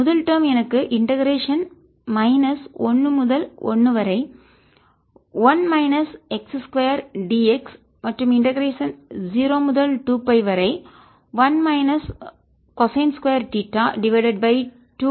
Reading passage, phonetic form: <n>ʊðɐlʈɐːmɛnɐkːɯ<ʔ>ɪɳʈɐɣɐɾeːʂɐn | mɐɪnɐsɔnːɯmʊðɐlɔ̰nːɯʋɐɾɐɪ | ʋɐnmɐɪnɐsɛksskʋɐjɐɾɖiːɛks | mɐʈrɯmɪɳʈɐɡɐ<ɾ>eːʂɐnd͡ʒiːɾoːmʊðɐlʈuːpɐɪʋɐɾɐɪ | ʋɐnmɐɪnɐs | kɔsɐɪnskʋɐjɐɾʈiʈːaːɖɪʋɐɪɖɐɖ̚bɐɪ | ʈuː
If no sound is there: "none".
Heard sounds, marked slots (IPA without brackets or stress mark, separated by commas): m, ʔ, ɾ